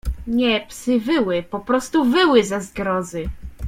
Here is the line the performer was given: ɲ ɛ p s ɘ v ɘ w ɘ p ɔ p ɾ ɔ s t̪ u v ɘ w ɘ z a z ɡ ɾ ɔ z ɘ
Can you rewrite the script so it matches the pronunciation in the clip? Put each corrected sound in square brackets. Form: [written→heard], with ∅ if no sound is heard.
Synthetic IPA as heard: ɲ ɛ p s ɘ v ɘ w ɘ p ɔ p ɾ ɔ s t̪ u v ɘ w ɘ z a z ɡ ɾ ɔ z ɘ